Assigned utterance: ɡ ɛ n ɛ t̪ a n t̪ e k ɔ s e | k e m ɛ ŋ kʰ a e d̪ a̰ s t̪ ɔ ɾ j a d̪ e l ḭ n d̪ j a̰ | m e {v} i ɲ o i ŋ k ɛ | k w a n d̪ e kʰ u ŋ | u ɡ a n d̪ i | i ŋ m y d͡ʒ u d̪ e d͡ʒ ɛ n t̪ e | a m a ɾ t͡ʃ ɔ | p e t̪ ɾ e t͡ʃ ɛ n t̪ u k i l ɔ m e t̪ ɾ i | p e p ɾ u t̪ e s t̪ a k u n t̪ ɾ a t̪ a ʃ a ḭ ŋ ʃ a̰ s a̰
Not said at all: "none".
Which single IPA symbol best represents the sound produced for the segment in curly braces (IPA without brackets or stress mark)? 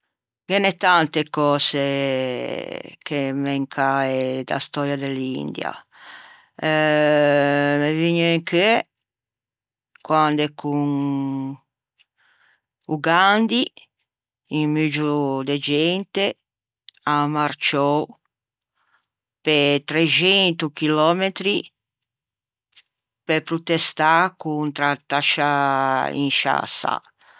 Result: v